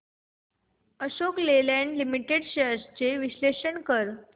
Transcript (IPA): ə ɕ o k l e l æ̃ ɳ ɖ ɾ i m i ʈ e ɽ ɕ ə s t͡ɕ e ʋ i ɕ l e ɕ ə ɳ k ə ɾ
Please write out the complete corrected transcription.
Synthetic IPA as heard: ə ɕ o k l e l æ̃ ɳ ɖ l i m i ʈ e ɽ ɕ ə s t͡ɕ e ʋ i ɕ l e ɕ ə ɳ k ə ɾ